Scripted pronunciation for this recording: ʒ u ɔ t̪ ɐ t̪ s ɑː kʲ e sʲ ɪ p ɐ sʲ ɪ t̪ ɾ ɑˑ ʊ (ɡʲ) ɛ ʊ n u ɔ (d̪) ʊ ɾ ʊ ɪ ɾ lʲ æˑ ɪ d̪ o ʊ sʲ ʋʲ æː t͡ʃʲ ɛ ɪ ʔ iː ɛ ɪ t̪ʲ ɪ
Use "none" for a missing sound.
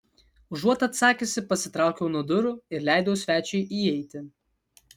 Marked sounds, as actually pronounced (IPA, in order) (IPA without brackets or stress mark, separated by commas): kʲ, d̪